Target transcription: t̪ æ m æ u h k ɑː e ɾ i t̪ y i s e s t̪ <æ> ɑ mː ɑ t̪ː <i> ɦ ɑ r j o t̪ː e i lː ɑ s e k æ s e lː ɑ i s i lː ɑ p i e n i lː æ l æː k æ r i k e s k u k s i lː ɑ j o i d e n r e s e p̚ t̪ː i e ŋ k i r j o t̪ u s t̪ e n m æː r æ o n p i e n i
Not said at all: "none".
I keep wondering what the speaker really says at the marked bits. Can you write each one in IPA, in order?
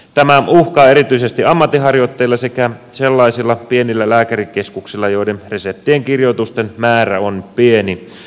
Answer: i, i

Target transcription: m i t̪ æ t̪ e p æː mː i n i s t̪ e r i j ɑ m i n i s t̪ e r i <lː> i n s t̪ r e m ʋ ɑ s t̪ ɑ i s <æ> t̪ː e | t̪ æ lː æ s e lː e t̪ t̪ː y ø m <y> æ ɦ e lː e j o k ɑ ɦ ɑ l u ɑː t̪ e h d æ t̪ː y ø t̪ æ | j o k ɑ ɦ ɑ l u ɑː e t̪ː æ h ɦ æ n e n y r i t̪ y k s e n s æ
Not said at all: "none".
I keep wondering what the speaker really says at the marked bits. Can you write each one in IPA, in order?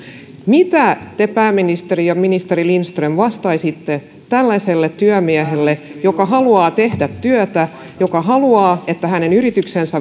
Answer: l, i, i

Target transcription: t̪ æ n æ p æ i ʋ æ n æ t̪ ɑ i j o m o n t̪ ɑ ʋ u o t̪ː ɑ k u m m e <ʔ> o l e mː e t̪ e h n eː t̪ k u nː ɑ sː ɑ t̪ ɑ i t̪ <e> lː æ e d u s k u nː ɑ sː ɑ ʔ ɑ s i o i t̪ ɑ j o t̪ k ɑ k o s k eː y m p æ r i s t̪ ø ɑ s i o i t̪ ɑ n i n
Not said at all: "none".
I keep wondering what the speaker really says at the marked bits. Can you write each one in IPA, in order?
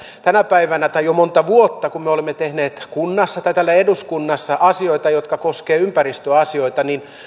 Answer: none, æ

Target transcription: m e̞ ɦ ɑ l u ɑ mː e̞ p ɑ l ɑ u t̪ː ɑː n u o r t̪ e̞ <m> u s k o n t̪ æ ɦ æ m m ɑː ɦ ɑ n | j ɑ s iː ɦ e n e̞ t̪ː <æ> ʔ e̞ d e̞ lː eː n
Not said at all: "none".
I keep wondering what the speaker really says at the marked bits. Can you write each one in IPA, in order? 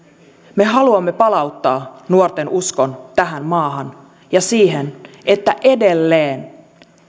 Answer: n, æ

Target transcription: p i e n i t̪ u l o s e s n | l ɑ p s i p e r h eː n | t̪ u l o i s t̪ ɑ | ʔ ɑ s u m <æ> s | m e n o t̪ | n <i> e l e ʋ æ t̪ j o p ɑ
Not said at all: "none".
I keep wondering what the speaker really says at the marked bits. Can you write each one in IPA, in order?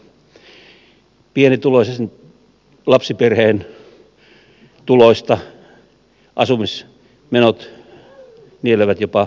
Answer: i, i

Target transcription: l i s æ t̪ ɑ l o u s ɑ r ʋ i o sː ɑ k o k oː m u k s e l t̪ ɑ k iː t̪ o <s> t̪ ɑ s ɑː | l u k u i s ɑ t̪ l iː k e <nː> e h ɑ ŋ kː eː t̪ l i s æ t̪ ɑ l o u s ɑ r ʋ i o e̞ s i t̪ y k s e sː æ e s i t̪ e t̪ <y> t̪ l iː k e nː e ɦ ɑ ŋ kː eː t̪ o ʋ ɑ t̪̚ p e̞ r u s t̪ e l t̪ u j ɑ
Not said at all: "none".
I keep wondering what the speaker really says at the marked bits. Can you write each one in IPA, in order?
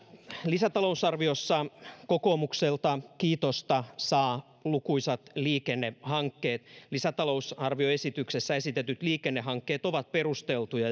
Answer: s, nː, y

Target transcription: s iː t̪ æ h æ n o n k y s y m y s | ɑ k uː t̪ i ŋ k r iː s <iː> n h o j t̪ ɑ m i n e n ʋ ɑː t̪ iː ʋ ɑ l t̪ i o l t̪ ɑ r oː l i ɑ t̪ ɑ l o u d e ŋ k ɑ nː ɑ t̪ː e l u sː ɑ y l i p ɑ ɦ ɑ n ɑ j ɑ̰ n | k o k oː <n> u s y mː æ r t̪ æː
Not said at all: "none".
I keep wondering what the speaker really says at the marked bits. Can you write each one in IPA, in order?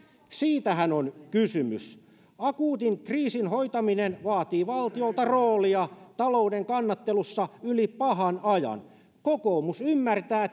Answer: i, m

